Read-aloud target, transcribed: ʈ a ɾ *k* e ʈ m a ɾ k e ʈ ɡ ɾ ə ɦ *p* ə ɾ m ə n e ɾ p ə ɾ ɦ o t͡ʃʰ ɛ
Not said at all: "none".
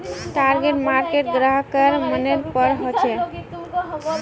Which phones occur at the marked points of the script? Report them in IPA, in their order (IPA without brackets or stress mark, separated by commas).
ɡ, k